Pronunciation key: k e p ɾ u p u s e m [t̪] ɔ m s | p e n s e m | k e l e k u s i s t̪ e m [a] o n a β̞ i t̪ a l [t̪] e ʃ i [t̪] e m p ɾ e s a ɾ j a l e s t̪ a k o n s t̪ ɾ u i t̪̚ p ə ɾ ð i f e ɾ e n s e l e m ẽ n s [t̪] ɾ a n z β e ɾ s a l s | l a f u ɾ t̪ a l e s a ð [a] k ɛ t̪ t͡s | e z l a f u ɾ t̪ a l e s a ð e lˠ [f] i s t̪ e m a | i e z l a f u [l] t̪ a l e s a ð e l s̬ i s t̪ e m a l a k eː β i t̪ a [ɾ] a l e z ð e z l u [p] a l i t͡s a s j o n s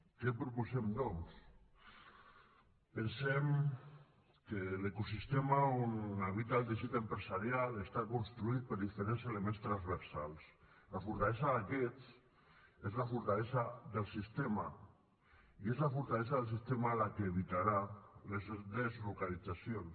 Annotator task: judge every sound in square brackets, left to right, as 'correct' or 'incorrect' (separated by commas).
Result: incorrect, correct, incorrect, correct, correct, correct, incorrect, incorrect, correct, incorrect